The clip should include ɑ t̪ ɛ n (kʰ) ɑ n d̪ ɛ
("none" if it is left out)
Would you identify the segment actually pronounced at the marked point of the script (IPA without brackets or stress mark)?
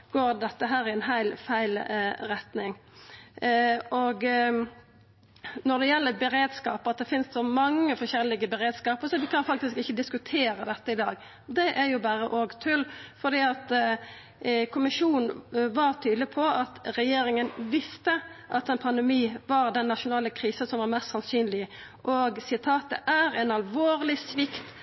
pʰ